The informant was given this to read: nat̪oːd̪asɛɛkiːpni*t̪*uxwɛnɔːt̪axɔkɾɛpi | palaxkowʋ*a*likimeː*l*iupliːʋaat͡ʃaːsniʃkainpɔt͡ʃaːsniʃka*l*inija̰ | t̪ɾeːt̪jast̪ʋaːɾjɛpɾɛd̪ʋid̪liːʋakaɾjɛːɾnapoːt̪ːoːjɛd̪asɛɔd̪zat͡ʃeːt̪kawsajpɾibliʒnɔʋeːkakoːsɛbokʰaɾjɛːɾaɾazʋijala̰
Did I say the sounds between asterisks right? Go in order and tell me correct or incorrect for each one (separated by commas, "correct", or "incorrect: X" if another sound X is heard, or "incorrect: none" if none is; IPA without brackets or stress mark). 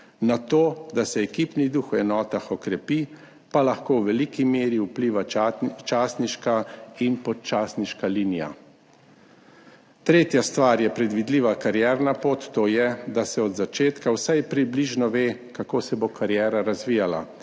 incorrect: d̪, incorrect: ɛ, incorrect: ɾ, correct